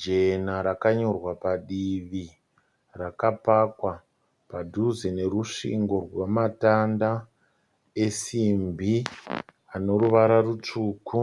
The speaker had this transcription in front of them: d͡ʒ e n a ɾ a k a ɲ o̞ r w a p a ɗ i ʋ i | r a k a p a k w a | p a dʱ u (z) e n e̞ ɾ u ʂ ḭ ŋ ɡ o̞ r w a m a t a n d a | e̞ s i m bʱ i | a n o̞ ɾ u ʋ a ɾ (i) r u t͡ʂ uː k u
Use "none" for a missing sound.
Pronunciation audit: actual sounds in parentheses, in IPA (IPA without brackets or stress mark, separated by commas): z, a